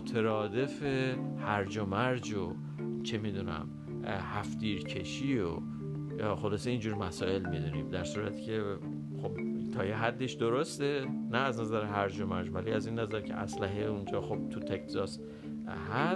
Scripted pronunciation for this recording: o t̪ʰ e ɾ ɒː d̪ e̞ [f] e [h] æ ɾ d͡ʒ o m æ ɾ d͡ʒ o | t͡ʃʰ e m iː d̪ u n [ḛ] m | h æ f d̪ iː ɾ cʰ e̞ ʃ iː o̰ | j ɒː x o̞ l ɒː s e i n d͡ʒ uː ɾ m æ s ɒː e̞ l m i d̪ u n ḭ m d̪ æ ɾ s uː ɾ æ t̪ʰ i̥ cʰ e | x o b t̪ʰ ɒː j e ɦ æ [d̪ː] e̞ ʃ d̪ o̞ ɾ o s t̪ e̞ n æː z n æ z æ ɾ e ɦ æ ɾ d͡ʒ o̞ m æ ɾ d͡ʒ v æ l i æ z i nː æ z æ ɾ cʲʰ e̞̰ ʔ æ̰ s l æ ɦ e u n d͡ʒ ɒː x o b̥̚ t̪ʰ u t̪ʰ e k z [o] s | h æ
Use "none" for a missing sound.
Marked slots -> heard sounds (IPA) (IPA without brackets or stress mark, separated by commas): f, h, æ̰, d̪ː, ɒ